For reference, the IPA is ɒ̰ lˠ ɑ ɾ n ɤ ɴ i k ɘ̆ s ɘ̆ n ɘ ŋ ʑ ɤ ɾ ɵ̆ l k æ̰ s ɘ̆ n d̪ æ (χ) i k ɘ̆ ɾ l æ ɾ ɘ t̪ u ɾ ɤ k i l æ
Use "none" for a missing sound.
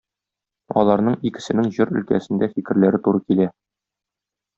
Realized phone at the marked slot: f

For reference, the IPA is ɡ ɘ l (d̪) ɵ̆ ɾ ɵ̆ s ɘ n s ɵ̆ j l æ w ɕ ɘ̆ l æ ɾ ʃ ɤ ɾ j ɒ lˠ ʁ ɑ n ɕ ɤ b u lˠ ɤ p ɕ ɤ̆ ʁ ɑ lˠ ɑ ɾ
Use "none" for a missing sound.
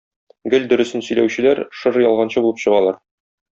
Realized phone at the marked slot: d̪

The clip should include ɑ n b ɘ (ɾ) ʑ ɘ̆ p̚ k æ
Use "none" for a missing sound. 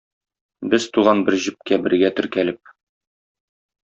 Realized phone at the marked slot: ɾ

